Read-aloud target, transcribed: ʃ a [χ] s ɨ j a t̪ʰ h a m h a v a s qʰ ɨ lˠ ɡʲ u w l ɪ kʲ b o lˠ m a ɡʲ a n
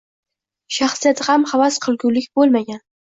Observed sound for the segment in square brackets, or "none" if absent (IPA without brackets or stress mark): χ